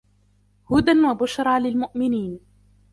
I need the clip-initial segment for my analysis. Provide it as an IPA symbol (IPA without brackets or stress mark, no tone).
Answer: h